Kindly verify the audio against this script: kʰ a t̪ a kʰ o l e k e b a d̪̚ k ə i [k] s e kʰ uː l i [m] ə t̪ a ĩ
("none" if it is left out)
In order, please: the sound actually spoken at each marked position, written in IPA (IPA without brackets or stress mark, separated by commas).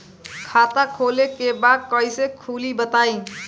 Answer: none, b